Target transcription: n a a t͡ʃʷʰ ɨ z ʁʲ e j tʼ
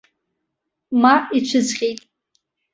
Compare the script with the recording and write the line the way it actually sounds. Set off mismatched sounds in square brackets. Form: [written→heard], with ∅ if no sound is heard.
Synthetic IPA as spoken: [n→m] a [a→i] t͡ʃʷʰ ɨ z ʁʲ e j tʼ